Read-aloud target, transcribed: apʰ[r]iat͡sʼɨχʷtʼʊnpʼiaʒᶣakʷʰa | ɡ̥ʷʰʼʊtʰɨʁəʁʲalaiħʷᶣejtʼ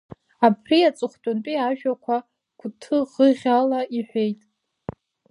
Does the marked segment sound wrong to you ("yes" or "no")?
no